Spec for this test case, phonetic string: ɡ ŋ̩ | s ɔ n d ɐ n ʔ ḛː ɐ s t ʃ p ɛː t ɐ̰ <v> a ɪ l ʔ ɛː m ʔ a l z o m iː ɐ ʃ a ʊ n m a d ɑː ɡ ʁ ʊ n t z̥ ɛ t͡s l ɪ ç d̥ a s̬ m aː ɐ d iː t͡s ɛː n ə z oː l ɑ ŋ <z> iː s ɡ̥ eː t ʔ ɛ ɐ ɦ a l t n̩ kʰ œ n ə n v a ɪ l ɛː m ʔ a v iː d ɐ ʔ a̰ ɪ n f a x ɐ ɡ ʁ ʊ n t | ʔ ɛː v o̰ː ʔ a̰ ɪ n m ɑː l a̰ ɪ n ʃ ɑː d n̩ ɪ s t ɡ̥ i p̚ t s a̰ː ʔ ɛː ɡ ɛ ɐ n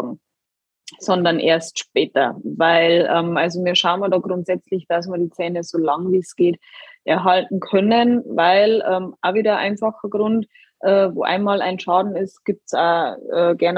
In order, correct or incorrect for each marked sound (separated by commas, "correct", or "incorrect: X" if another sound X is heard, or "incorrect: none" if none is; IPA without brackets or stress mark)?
correct, incorrect: v